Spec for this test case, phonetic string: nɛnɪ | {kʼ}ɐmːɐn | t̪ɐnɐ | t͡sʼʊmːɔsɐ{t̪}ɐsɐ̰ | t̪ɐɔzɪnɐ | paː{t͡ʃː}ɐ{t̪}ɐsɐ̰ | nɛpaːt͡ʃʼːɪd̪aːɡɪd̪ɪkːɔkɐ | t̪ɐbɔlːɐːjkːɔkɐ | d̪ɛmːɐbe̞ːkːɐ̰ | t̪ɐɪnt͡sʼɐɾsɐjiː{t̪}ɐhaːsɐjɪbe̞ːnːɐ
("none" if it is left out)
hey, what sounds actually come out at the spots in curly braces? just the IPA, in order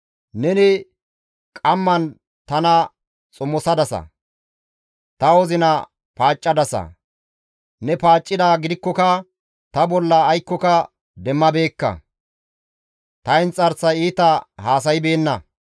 kʼ, d̪, t͡ʃʼː, d̪, t̪

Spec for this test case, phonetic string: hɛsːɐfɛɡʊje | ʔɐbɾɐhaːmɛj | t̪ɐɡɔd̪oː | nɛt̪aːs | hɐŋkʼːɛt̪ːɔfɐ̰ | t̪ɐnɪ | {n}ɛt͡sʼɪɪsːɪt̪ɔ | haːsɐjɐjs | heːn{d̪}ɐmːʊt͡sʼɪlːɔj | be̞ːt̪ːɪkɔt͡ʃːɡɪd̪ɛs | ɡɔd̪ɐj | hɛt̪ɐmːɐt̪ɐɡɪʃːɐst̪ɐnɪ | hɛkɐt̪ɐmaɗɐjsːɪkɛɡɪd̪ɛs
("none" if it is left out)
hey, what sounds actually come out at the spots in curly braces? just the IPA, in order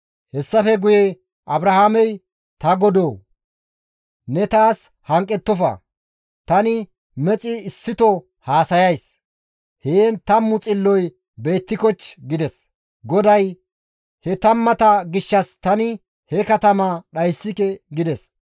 m, t̪

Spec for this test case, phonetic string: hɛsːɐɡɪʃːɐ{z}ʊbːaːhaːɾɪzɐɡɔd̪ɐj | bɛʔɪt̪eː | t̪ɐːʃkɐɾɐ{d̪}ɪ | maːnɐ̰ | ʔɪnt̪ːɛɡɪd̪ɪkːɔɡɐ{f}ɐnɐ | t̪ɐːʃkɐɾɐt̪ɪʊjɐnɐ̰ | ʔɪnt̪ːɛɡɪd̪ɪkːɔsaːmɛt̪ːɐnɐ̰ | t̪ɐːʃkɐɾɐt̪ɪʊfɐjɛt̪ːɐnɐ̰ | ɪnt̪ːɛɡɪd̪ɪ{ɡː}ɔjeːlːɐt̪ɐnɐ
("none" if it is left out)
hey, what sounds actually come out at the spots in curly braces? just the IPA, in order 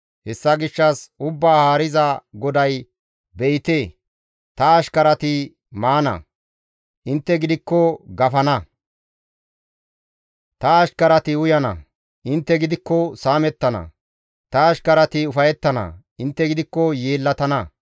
s, t̪, f, kː

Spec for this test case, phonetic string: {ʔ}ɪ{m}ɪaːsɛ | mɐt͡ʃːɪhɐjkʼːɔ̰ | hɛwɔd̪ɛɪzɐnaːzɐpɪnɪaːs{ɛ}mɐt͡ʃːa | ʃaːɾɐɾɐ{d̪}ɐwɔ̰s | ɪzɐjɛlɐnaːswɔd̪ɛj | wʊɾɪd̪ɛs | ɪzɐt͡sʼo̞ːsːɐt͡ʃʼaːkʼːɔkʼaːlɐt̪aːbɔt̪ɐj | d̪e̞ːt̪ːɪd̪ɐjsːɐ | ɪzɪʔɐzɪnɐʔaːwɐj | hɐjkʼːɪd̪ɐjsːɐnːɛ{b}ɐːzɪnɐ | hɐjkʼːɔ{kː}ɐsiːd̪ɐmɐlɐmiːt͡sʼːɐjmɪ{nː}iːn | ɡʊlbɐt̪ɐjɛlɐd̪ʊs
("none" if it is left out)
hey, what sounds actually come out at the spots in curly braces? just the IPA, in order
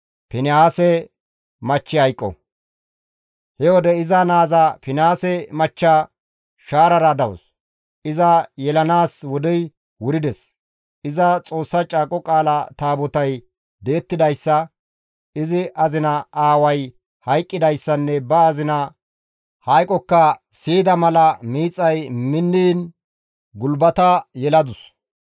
p, n, ɛ, d̪, b, kː, nː

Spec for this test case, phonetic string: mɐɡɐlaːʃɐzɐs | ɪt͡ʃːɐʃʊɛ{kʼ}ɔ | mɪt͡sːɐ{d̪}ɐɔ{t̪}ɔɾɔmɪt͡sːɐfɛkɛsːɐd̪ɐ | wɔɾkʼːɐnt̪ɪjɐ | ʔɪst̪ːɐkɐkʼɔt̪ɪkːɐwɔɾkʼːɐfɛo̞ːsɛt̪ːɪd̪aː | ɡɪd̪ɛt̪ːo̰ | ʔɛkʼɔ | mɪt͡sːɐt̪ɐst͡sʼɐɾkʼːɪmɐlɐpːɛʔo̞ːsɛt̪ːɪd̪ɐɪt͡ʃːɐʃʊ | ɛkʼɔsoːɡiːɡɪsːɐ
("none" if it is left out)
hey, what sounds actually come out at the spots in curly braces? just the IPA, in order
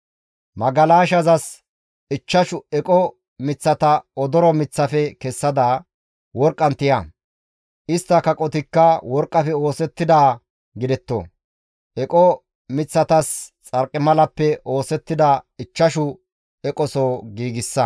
kʼ, t̪, d̪

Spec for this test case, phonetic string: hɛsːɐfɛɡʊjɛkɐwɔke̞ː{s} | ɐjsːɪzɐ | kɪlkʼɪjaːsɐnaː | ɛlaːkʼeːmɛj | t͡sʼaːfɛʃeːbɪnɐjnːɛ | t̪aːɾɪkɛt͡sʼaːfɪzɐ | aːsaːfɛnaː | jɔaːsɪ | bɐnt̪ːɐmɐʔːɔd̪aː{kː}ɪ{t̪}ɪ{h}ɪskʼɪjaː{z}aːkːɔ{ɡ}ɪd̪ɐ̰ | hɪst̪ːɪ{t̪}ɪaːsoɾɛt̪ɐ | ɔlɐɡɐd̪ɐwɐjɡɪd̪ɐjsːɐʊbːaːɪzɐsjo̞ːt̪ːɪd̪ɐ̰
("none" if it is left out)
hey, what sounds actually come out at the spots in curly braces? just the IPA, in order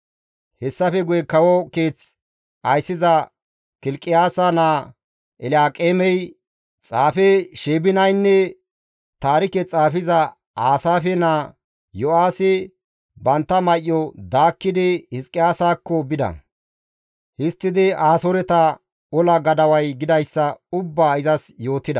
t͡s, kː, d̪, h, s, b, d̪

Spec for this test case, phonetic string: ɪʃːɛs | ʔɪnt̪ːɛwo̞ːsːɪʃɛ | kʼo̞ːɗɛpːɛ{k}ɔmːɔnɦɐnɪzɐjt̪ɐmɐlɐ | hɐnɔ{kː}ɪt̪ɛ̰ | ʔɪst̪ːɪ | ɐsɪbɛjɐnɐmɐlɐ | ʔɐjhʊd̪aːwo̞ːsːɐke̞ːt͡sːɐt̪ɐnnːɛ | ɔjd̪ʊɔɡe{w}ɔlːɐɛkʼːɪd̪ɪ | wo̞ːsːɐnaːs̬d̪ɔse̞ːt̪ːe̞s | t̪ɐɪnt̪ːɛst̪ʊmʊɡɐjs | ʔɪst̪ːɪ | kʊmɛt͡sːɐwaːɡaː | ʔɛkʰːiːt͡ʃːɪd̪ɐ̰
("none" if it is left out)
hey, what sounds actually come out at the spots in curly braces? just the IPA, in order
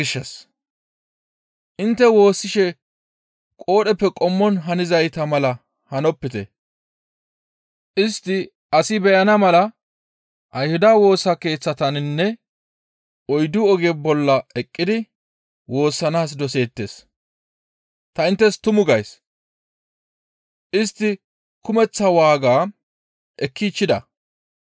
kʼ, pː, b

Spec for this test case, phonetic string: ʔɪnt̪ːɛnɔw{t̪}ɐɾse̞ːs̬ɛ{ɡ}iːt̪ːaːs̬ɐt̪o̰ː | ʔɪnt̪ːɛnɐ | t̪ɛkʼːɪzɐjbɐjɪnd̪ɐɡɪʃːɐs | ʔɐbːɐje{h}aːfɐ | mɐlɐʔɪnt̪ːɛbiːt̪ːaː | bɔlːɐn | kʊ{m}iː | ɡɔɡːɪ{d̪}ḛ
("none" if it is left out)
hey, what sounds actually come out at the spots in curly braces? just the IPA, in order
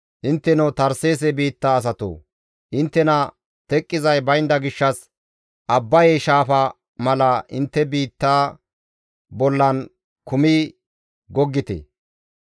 t̪, b, ʃ, m, t̪

